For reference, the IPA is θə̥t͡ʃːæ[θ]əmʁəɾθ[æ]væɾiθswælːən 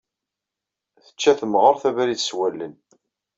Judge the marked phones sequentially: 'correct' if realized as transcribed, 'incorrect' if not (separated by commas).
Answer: correct, correct